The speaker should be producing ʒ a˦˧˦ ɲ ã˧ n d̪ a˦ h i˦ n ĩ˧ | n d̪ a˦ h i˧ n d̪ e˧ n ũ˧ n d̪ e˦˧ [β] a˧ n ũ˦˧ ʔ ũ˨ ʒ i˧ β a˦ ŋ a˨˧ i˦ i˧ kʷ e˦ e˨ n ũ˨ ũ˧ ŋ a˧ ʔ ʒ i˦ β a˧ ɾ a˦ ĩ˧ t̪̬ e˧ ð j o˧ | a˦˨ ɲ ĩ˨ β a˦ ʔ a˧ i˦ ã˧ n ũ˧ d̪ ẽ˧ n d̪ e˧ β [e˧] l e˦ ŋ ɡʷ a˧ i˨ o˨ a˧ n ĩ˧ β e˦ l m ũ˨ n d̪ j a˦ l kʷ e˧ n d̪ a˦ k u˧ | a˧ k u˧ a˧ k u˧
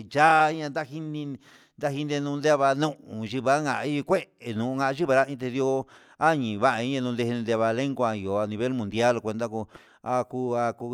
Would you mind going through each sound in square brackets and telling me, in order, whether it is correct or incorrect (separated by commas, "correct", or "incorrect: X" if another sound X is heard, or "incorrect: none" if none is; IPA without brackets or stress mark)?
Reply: correct, incorrect: a˧